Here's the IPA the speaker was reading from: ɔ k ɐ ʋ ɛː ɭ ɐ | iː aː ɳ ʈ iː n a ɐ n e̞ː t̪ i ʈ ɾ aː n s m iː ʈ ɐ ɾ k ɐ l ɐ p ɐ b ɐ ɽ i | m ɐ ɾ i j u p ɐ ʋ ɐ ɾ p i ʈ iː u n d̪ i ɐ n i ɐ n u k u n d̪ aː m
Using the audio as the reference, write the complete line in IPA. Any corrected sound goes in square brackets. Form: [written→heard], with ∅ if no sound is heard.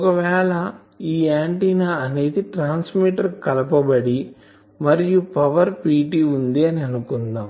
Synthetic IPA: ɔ k ɐ ʋ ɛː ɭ ɐ | iː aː ɳ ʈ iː n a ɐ n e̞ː [t̪→d̪] i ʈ ɾ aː n s m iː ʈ ɐ ɾ k ɐ l ɐ p ɐ b ɐ ɽ i | m ɐ ɾ i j u p ɐ ʋ ɐ ɾ p [i→iː] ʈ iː u n d̪ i ɐ n i ɐ n u k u n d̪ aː m